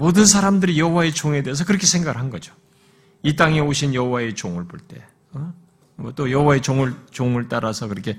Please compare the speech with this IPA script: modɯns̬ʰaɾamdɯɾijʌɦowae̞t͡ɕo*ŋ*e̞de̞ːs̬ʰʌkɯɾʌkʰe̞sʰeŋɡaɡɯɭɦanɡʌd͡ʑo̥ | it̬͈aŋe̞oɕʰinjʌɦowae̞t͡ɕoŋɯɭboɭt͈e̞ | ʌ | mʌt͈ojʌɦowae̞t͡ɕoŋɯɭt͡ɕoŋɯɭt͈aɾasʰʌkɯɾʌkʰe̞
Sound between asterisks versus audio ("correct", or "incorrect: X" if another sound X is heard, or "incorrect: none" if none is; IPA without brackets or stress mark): correct